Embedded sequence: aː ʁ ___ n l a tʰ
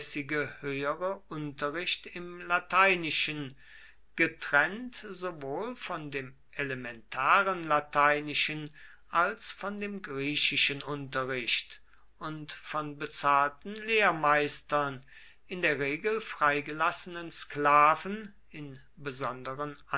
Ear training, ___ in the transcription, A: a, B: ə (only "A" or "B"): B